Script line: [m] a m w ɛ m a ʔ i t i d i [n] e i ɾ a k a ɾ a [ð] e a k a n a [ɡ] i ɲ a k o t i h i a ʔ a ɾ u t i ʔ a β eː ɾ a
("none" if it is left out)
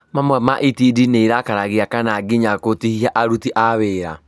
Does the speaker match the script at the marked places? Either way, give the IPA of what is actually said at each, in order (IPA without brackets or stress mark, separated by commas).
m, n, ɣ, ɡ